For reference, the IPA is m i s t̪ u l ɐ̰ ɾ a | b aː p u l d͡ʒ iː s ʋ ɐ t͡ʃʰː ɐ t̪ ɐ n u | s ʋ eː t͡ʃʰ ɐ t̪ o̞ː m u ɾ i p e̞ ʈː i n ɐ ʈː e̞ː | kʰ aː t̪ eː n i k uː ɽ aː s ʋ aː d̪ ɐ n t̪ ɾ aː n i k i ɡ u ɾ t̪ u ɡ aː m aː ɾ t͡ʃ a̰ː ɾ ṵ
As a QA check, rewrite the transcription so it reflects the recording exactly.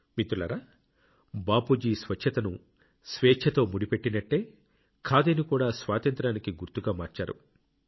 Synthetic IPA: m i t̪ u l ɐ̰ ɾ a | b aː p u d͡ʒ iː s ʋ ɐ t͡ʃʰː ɐ t̪ ɐ n u | s ʋ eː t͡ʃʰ ɐ t̪ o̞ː m u ɽ i p e̞ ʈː i n ɐ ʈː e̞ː | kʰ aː d̪ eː n i k uː ɽ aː s ʋ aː t̪ ɐ n t̪ ɾ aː n i k i ɡ u ɾ t̪ u ɡ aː m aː ɾ t͡ʃ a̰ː ɾ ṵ